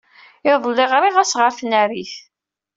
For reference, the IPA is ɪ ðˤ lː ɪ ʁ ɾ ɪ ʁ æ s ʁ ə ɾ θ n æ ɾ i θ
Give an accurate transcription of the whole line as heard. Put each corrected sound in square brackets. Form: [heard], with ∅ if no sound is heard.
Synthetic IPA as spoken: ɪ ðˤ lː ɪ ʁ ɾ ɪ ʁ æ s ʁ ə ɾ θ n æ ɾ i θ